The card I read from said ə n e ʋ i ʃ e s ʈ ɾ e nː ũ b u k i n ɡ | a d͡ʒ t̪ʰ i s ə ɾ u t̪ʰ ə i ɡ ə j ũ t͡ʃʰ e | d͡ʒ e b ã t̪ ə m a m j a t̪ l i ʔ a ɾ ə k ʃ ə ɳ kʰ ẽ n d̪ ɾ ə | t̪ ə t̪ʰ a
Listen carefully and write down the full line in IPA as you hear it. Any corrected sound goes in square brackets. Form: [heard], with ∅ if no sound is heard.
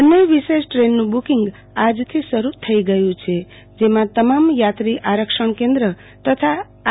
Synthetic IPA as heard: ə n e ʋ i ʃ e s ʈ ɾ e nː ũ b u k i [ŋ] ɡ | a d͡ʒ t̪ʰ i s ə ɾ u t̪ʰ ə i ɡ ə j ũ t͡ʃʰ e | d͡ʒ e [m] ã t̪ ə m a m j a t̪ [ɾ] i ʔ a ɾ ə k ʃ ə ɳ [k] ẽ n d̪ ɾ ə | t̪ ə t̪ʰ a

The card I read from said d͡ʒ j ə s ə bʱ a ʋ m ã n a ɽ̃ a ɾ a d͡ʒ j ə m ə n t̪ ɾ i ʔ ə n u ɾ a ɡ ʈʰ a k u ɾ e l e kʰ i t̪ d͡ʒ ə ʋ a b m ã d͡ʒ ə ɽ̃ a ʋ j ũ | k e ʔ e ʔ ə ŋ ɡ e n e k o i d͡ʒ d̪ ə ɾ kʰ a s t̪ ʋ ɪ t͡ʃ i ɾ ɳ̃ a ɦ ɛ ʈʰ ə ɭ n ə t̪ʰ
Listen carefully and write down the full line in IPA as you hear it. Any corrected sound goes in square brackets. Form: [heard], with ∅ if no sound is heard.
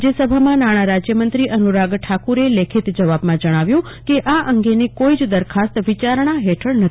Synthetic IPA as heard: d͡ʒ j ə s ə bʱ a [∅] m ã n a ɽ̃ a ɾ a d͡ʒ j ə m ə n t̪ ɾ i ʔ ə n u ɾ a ɡ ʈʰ a k u ɾ e l e kʰ i t̪ d͡ʒ ə ʋ a b m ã d͡ʒ ə ɽ̃ a ʋ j ũ | k e ʔ [a] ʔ ə ŋ ɡ e n e k o i d͡ʒ d̪ ə ɾ kʰ a s t̪ ʋ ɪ t͡ʃ [a] ɾ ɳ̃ a ɦ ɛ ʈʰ ə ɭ n ə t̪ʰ

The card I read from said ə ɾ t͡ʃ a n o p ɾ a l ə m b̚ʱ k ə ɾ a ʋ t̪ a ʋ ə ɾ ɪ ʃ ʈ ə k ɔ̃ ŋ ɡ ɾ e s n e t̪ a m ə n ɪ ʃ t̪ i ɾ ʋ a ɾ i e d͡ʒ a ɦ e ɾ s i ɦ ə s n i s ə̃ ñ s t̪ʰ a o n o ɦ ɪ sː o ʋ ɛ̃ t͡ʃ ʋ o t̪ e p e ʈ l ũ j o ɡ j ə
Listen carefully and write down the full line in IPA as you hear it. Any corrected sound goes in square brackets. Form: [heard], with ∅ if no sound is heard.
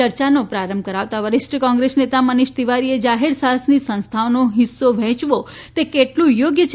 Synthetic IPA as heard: ə ɾ t͡ʃ a n o p ɾ a [ɾ] ə m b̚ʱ k ə ɾ a ʋ t̪ a ʋ ə ɾ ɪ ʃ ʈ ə k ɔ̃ ŋ ɡ ɾ e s n e t̪ a m ə n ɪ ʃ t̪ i [∅] ʋ a ɾ i e d͡ʒ a ɦ e ɾ s [a] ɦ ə s n i s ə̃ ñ s t̪ʰ a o n o ɦ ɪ sː o ʋ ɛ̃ t͡ʃ ʋ o t̪ e [k] e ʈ l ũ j o ɡ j ə

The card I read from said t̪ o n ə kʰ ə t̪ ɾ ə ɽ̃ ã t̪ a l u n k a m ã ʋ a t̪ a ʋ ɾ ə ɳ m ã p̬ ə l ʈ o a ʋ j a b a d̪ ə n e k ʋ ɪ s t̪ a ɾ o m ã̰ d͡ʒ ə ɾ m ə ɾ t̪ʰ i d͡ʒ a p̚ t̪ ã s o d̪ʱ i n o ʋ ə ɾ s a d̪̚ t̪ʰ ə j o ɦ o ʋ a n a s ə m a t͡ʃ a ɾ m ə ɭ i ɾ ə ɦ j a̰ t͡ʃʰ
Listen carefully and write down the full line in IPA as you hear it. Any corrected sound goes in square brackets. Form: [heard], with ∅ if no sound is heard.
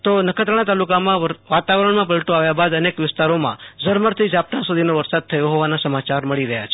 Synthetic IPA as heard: t̪ o n ə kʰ ə t̪ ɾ ə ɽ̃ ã t̪ a l u [∅] k a m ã ʋ a t̪ a ʋ ɾ ə ɳ m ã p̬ ə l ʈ o a ʋ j a b a d̪ ə n e k ʋ ɪ s t̪ a ɾ o m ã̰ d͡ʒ ə ɾ m ə ɾ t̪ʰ i d͡ʒ a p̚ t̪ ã s [u] d̪ʱ i n o ʋ ə ɾ s a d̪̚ t̪ʰ ə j o ɦ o ʋ a n a s ə m a t͡ʃ a ɾ m ə ɭ i ɾ ə ɦ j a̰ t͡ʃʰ

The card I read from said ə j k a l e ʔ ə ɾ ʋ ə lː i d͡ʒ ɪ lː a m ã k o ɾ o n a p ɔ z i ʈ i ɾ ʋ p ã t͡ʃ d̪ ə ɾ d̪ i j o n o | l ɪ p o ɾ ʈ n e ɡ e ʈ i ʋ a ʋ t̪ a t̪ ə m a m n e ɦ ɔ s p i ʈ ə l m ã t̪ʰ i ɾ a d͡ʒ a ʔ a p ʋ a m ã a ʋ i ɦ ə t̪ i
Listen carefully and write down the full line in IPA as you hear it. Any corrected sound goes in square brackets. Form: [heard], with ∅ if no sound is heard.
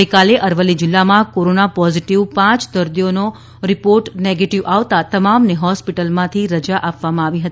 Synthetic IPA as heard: ə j k a l e ʔ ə ɾ ʋ ə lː i d͡ʒ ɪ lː a m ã k o ɾ o n a p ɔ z i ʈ i [∅] ʋ p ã t͡ʃ d̪ ə ɾ d̪ i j o n o | [ɾ] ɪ p o ɾ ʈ n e ɡ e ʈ i ʋ a ʋ t̪ a t̪ ə m a m n e ɦ ɔ s p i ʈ ə l m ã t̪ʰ i ɾ [ə] d͡ʒ a ʔ a p ʋ a m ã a ʋ i ɦ ə t̪ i

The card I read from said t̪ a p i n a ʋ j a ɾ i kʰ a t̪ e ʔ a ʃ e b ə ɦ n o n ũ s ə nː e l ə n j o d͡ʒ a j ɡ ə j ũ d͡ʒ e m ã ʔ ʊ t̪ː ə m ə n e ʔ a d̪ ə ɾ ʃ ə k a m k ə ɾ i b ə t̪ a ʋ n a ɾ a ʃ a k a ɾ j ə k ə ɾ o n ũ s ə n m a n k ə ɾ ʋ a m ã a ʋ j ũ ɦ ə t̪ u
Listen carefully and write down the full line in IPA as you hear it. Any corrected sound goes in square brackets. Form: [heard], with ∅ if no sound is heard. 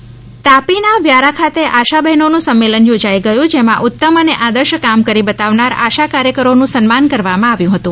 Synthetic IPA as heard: t̪ a p i n a ʋ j a ɾ [a] kʰ a t̪ e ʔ a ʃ [a] b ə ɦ n o n ũ s ə [mː] e l ə n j o d͡ʒ a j ɡ ə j ũ d͡ʒ e m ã ʔ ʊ t̪ː ə m ə n e ʔ a d̪ ə ɾ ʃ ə k a m k ə ɾ i b ə t̪ a ʋ n a ɾ a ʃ a k a ɾ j ə k ə ɾ o n ũ s ə n m a n k ə ɾ ʋ a m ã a ʋ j ũ ɦ ə t̪ [ũ]

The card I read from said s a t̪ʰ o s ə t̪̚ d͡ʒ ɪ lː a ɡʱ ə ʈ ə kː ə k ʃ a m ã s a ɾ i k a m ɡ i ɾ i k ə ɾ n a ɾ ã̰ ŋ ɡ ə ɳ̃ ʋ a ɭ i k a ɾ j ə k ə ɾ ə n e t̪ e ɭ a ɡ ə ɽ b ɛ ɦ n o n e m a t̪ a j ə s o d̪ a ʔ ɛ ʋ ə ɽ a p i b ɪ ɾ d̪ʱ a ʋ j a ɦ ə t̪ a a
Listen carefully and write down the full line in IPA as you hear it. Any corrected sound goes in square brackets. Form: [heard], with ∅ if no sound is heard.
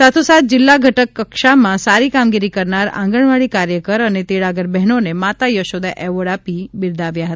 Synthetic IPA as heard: s a t̪ʰ o s [a] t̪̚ d͡ʒ ɪ lː a ɡʱ ə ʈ ə kː ə k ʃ a m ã s a ɾ i k a m ɡ i ɾ i k ə ɾ n a ɾ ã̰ ŋ ɡ ə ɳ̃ ʋ a ɭ i k a ɾ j ə k ə ɾ ə n e t̪ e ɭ a ɡ ə [ɾ] b ɛ ɦ n o n e m a t̪ a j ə [ʃ] o d̪ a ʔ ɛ ʋ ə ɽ a p i b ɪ ɾ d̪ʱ a ʋ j a ɦ ə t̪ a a

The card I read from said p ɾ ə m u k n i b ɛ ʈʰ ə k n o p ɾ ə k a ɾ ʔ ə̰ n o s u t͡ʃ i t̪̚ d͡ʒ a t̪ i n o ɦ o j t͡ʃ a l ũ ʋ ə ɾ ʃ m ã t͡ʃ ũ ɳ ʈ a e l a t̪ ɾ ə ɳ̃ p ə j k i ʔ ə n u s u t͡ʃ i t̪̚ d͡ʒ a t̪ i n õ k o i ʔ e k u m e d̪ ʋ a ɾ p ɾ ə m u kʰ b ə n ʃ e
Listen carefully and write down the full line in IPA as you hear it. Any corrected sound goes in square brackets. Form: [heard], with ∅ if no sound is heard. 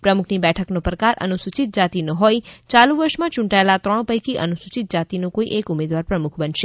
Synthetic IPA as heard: p ɾ ə m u [kʰ] n i b ɛ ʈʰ ə k n o p ɾ ə k a ɾ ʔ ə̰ n [u] s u t͡ʃ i t̪̚ d͡ʒ a t̪ i n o ɦ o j t͡ʃ a l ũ ʋ ə ɾ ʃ m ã t͡ʃ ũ ɳ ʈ a e l a t̪ ɾ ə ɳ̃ p ə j k i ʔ ə n u s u t͡ʃ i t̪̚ d͡ʒ a t̪ i n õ k o i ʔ e k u m e d̪ ʋ a ɾ p ɾ ə m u kʰ b ə n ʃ e

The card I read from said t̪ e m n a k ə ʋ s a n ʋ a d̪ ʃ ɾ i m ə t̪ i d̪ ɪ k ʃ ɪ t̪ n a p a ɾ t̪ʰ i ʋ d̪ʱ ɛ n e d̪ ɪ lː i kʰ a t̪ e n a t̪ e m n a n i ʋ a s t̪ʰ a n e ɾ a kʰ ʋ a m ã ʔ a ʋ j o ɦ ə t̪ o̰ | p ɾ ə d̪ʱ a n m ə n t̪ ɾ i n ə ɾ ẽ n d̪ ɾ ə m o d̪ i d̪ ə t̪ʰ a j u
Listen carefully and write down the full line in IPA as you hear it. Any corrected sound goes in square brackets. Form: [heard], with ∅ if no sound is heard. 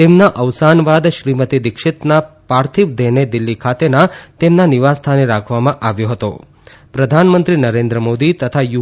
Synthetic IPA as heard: t̪ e m n a [ʔ] ə ʋ s a n ʋ a d̪ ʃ ɾ i m ə t̪ i d̪ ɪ k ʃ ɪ t̪ n a p a ɾ t̪ʰ i ʋ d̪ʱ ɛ n e d̪ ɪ lː i kʰ a t̪ e n a t̪ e m n a n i ʋ a s t̪ʰ a n e ɾ a kʰ ʋ a m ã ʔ a ʋ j o ɦ ə t̪ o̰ | p ɾ ə d̪ʱ a n m ə n t̪ ɾ i n ə ɾ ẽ n d̪ ɾ ə m o d̪ i [t̪] ə t̪ʰ a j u

